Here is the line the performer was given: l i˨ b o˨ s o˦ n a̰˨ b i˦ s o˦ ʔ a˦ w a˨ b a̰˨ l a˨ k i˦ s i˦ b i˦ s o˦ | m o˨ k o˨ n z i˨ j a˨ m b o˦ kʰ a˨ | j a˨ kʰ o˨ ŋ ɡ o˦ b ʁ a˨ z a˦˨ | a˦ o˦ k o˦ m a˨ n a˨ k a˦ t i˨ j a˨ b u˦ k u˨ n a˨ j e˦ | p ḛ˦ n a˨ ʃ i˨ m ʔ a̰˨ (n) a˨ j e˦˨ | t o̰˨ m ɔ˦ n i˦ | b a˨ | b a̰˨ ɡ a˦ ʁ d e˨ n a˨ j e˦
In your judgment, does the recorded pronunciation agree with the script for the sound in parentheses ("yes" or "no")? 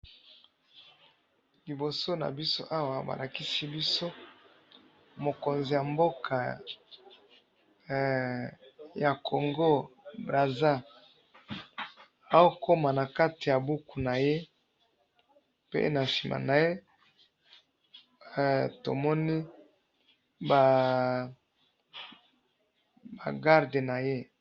yes